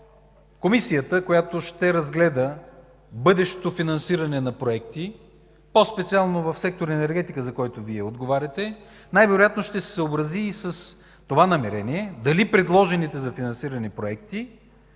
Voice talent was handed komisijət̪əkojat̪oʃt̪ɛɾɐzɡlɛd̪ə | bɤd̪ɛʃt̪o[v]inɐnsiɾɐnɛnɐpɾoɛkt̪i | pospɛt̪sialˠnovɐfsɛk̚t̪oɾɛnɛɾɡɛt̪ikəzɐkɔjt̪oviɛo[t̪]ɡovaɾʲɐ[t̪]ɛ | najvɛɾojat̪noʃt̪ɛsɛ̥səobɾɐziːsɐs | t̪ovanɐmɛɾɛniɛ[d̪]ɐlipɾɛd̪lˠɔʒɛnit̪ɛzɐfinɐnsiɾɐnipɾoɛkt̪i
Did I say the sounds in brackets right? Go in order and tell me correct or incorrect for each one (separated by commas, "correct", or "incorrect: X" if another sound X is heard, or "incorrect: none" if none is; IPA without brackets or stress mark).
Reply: incorrect: f, incorrect: d̪, correct, correct